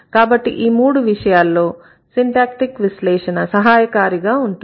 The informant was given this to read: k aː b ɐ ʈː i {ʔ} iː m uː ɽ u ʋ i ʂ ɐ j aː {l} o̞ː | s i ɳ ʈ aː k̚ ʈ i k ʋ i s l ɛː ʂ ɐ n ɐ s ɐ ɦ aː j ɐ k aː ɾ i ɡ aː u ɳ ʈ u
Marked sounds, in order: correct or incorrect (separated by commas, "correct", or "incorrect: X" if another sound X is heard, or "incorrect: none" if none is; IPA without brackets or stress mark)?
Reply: correct, incorrect: lː